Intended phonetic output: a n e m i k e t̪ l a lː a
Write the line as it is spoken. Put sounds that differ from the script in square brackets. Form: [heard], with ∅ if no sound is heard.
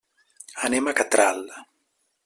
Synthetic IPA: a n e m [a] k [a] t̪ [ɾ] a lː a